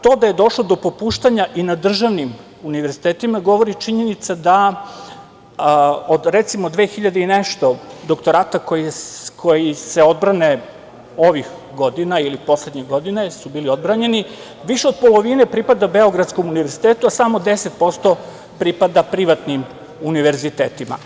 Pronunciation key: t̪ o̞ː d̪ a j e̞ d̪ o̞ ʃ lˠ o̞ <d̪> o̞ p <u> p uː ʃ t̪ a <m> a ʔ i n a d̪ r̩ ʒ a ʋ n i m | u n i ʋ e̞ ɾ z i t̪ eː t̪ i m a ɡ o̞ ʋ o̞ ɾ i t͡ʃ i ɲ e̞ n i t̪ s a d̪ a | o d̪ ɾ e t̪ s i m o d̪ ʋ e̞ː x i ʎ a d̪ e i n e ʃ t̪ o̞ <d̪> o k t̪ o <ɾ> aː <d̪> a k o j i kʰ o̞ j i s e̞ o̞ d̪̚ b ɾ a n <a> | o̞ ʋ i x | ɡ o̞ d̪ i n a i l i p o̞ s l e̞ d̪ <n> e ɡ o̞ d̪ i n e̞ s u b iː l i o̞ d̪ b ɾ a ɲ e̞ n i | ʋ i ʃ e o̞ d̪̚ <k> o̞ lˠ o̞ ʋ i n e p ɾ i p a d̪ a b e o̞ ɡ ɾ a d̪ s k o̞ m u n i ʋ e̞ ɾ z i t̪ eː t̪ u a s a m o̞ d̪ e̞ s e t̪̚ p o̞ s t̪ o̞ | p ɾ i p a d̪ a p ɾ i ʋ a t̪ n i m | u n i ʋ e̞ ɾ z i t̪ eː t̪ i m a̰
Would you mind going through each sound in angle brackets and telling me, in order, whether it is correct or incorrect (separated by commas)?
correct, incorrect, incorrect, correct, correct, incorrect, incorrect, incorrect, incorrect